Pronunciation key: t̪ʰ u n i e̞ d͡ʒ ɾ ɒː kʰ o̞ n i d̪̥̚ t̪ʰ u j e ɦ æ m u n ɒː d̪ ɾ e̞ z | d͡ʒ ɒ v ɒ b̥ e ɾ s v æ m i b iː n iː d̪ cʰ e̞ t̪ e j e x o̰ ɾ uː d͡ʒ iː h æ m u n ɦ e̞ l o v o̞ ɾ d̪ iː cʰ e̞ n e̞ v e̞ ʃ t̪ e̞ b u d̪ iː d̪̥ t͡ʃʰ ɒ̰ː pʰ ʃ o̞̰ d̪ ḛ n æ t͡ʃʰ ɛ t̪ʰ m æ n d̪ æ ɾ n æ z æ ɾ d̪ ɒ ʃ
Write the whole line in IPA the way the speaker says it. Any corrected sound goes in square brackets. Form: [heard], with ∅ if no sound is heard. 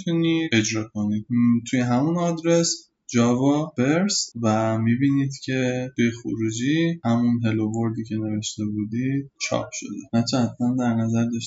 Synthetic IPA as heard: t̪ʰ u n i e̞ d͡ʒ ɾ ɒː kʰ o̞ n i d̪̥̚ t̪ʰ u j e ɦ æ m u n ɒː d̪ ɾ e̞ [s] | d͡ʒ ɒ v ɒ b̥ e ɾ s v æ m i b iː n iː d̪ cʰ e̞ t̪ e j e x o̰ ɾ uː d͡ʒ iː h æ m u n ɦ e̞ l o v o̞ ɾ d̪ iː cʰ e̞ n e̞ v e̞ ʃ t̪ e̞ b u d̪ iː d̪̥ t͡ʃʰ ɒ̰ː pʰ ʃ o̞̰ d̪ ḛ n æ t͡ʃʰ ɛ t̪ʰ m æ n d̪ æ ɾ n æ z æ ɾ d̪ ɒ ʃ